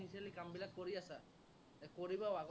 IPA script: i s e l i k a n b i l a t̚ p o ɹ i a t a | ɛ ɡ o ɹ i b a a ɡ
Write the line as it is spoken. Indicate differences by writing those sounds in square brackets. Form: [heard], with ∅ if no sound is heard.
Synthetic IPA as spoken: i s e l i k a [m] b i l a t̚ [k] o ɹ i a [s] a | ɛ [k] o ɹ i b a a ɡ

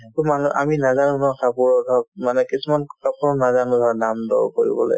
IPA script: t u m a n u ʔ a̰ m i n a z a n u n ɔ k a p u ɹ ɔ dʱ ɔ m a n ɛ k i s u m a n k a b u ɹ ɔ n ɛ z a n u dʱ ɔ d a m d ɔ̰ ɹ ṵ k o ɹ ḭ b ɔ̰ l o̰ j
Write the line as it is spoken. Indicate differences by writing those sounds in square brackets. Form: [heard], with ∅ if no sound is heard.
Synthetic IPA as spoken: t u m a n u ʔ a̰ m i n a z a n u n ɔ k a p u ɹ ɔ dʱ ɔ m a n ɛ k i s u m a n k a [p] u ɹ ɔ n [a] z a n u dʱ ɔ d a m d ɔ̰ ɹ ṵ k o ɹ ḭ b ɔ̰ l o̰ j

